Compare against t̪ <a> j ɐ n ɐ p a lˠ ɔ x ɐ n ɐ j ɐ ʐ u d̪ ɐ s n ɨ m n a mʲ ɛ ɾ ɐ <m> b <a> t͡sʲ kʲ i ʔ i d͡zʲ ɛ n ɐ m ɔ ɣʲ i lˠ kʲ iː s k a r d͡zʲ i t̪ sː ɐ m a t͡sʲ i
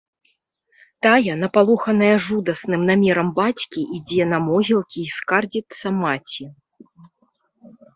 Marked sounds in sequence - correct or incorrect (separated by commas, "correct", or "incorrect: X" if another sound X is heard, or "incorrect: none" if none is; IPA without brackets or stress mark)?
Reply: correct, correct, correct